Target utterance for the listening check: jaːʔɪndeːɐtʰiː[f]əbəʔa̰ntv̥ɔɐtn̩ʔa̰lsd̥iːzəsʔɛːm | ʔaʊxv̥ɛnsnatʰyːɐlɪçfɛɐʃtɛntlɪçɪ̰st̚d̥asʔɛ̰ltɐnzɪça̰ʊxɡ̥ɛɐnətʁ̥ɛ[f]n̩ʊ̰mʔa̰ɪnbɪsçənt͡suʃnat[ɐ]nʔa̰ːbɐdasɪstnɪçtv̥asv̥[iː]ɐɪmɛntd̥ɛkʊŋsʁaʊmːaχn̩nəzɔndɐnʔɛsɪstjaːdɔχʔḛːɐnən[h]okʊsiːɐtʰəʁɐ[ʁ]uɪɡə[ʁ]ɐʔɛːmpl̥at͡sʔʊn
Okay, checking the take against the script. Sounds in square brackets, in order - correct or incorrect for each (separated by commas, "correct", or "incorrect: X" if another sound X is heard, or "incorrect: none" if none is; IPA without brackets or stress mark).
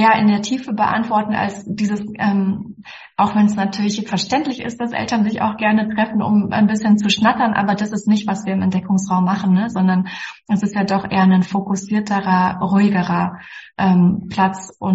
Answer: correct, correct, correct, correct, incorrect: f, correct, correct